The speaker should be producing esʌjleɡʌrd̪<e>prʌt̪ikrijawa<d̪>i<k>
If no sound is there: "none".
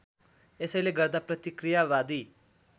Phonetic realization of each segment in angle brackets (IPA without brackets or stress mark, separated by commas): a, d̪, none